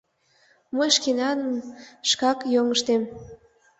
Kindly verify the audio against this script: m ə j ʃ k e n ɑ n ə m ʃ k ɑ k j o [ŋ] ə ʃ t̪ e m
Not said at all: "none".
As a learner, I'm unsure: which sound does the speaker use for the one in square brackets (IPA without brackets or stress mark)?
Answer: ŋ